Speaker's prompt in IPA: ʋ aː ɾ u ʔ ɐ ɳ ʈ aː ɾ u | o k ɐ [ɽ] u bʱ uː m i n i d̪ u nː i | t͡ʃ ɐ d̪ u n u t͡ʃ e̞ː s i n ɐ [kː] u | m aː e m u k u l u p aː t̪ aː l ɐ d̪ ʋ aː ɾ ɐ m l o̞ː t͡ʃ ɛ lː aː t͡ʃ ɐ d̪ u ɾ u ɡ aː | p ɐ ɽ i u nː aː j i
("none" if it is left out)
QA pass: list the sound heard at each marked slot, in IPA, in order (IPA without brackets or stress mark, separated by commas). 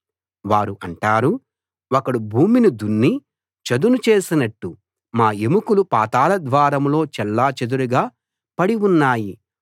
ɽ, ʈː